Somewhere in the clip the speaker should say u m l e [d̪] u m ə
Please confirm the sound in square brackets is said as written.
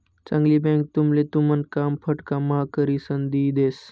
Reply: no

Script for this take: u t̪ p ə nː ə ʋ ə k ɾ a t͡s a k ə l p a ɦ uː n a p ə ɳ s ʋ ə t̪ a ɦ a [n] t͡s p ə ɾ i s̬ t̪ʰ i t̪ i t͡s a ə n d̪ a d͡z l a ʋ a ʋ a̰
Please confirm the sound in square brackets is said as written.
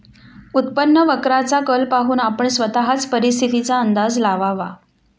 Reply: no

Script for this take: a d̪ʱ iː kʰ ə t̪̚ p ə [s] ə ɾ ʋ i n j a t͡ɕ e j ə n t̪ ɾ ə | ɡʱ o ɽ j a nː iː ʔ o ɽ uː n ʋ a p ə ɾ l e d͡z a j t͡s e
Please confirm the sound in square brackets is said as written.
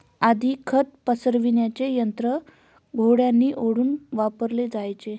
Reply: yes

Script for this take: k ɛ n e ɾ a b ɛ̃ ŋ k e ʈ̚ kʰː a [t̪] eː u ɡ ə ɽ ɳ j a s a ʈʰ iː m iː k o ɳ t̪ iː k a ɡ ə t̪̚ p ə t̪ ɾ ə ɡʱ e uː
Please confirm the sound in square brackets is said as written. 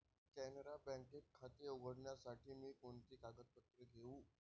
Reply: yes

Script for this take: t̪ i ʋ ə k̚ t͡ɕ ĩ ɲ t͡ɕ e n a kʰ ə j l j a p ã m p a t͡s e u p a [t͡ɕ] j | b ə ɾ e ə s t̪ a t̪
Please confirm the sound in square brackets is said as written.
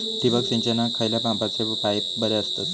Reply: no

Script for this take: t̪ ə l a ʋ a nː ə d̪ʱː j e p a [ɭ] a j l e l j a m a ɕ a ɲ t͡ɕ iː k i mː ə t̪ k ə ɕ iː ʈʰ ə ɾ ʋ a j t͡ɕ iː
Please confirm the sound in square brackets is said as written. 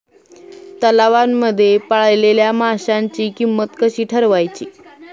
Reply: yes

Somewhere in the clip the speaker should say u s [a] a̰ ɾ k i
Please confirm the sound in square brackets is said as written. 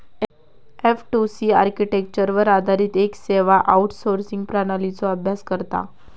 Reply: no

